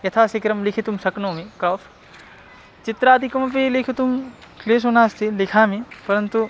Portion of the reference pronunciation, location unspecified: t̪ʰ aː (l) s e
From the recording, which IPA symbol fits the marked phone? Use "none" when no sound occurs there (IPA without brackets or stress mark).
none